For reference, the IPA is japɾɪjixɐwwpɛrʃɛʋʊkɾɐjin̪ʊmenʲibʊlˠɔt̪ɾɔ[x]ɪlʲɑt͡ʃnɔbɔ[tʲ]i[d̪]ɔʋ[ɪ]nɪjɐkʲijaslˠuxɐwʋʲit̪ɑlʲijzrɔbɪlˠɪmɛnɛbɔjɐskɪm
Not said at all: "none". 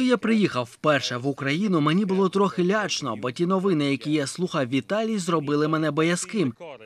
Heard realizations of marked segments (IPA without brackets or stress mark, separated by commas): x, tʲ, n̪, ɪ